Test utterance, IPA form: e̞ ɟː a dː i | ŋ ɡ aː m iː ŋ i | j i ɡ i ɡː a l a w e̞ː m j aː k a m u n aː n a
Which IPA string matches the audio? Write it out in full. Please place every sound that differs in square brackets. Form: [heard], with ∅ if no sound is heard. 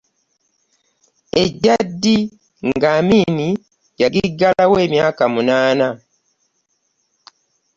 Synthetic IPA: e̞ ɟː a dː i | ŋ ɡ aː m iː [n] i | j [a] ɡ i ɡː a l a w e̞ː m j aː k a m u n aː n a